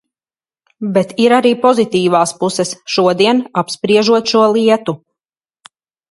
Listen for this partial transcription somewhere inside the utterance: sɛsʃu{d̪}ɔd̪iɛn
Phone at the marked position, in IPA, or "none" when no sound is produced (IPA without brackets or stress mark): none